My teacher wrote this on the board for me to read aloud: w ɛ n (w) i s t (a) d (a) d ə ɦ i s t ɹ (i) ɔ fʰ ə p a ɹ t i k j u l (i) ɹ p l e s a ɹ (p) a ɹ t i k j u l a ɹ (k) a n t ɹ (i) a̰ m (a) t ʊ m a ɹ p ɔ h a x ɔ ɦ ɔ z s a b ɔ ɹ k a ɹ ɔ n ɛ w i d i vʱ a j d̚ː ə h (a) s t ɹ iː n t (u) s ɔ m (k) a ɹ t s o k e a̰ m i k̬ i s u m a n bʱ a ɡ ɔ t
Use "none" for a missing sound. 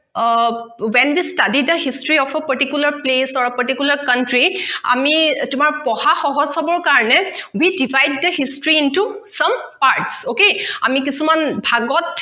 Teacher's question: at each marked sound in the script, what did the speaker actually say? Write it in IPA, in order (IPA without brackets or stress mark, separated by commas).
w, a, i, i, a, p, k, i, i, i, u, p